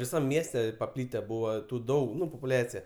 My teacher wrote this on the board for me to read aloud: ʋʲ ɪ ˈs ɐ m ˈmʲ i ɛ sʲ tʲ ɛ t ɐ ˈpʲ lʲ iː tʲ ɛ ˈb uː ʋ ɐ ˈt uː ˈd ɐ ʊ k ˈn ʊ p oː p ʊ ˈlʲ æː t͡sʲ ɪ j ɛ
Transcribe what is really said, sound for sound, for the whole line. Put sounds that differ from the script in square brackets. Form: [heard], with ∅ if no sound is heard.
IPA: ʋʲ ɪ ˈs ɐ m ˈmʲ i ɛ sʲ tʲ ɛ [p] ɐ ˈpʲ lʲ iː tʲ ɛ ˈb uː ʋ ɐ ˈt uː ˈd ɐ ʊ k ˈn ʊ p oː p ʊ ˈlʲ æː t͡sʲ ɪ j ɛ